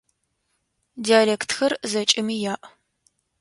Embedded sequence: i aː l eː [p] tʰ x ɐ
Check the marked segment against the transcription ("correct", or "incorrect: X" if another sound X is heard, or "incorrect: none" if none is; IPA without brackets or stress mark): incorrect: k